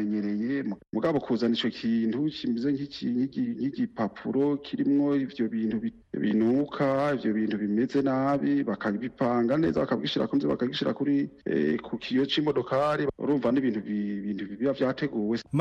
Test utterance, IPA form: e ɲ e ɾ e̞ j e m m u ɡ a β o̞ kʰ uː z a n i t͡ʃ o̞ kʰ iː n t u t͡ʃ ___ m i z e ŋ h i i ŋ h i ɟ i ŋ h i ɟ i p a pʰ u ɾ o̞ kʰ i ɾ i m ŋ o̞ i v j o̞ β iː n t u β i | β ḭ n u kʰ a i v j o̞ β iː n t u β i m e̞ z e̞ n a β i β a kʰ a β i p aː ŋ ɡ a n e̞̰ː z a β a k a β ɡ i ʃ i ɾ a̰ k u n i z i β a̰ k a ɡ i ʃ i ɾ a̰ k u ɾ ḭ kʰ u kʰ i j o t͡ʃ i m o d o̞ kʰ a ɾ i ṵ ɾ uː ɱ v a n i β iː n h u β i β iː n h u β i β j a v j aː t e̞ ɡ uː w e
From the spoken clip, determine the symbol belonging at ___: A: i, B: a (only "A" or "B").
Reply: A